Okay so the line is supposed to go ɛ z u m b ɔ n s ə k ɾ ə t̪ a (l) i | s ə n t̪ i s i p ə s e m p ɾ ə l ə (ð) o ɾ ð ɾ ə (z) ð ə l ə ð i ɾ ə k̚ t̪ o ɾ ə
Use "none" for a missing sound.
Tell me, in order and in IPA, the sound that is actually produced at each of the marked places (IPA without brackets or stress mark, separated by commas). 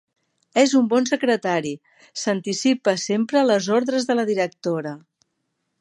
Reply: ɾ, z, z